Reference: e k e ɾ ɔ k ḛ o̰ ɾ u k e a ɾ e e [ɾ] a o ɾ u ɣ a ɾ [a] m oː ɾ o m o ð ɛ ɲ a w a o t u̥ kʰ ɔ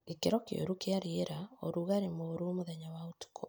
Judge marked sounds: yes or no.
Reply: yes, no

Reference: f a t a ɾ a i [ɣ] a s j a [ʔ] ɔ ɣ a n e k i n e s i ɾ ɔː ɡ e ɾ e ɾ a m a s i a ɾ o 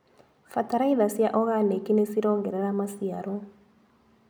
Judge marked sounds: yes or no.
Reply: no, yes

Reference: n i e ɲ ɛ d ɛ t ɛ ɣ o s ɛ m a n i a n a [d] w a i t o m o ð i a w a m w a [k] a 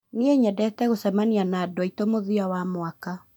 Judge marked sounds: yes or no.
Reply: yes, yes

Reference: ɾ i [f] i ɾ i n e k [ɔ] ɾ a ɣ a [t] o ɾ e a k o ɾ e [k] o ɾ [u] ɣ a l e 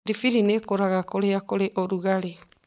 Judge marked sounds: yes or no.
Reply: yes, no, no, no, yes

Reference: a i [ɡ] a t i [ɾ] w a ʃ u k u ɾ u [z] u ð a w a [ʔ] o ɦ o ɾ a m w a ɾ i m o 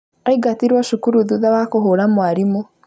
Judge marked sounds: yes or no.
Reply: yes, yes, no, no

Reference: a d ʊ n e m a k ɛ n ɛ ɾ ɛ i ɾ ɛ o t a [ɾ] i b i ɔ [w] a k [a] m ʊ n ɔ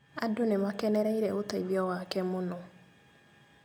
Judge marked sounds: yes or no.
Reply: no, yes, no

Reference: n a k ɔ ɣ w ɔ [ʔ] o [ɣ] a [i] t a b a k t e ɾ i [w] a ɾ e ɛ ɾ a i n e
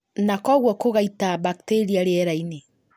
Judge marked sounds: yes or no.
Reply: no, yes, yes, no

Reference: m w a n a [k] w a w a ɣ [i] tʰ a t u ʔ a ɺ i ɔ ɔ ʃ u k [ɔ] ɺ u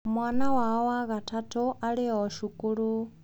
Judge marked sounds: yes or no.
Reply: no, no, no

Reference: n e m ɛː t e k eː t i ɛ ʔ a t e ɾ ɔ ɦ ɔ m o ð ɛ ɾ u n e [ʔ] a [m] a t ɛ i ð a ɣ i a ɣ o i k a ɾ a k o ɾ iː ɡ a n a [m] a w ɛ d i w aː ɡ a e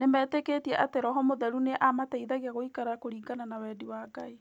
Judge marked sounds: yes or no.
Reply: yes, yes, no

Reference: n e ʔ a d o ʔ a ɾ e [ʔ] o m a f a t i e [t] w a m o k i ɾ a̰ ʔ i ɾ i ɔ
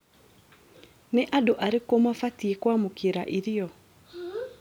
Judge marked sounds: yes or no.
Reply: no, no

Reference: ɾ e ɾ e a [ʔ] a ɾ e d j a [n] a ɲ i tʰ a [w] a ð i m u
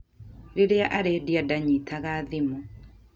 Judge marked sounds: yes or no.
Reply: yes, no, no

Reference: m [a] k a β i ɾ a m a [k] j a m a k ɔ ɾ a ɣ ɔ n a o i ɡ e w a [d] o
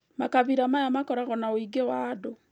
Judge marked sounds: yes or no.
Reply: yes, no, yes

